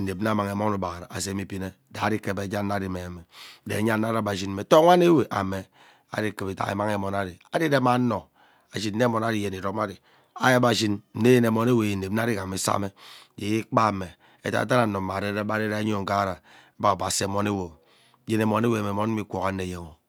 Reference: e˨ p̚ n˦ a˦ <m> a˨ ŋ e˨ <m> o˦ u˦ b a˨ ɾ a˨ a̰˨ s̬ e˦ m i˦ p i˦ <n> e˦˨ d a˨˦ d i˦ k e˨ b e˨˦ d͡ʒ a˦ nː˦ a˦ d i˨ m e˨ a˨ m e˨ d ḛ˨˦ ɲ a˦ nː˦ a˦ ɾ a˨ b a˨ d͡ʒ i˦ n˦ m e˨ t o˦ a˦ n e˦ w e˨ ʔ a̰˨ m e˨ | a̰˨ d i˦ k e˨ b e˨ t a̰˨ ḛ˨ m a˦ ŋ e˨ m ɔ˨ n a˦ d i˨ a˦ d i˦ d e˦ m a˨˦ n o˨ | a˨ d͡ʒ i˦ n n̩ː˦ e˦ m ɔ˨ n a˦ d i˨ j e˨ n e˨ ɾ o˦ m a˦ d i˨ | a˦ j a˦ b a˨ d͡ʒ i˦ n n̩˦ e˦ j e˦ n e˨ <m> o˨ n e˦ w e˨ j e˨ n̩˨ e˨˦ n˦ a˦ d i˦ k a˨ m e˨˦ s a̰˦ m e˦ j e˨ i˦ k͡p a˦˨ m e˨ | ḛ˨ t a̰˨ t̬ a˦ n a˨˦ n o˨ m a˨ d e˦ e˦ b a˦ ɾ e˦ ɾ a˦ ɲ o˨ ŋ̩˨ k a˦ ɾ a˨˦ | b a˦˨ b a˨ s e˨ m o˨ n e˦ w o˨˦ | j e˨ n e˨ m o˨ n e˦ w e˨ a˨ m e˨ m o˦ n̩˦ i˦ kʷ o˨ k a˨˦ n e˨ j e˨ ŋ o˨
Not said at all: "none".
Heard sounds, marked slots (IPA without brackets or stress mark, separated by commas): m, m, n, m